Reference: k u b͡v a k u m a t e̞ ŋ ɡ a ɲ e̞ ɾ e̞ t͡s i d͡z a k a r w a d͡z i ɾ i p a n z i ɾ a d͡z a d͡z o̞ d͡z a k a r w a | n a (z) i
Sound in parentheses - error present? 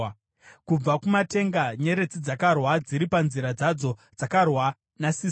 yes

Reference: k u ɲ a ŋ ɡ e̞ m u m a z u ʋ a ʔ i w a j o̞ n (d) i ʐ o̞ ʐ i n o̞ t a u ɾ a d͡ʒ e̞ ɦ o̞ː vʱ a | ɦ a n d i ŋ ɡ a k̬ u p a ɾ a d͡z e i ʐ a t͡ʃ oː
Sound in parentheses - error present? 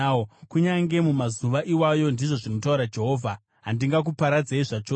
no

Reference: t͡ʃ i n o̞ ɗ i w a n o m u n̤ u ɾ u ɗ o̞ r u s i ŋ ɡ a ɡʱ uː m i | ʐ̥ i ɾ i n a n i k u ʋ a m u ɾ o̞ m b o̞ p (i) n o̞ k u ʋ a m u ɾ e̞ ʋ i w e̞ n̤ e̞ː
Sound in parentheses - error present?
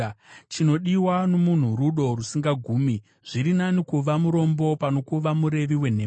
yes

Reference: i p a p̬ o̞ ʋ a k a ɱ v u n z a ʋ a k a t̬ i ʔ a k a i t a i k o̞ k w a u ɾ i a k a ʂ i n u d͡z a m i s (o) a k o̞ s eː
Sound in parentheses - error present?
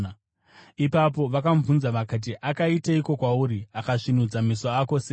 no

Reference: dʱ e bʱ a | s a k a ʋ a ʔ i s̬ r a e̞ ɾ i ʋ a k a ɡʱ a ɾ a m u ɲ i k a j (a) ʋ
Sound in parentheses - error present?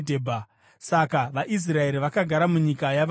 no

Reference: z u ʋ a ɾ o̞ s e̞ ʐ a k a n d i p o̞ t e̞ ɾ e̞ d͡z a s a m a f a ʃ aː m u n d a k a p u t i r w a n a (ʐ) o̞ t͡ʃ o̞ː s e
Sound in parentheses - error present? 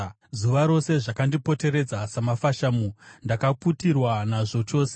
no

